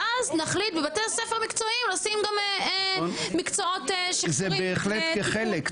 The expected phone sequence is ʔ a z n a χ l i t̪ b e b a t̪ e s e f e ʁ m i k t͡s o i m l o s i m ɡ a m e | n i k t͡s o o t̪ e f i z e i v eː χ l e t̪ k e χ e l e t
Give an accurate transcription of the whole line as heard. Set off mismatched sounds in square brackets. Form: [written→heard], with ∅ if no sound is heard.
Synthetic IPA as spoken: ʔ a z n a χ l i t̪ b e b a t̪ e s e f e ʁ m i k t͡s o i m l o s i m ɡ a m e | [n→m] i k t͡s o o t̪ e [f→ʃ] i z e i [v→b] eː χ l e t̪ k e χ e l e [t→k]